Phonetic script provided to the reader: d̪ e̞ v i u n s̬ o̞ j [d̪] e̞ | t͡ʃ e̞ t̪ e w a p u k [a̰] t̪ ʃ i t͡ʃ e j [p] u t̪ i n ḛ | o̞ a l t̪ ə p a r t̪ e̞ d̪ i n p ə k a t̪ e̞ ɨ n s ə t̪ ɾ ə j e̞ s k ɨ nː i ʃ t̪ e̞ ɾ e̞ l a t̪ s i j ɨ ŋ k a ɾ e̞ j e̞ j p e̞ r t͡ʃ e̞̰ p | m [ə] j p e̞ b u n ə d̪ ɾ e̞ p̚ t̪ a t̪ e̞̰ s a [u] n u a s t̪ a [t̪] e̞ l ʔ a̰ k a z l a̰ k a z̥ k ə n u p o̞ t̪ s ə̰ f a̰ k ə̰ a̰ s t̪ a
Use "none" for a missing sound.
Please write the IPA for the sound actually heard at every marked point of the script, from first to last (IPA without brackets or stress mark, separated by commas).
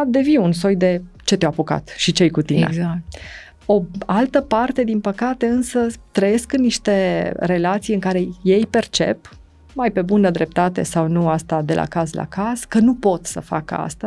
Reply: d̪, a̰, k, a, w, d̪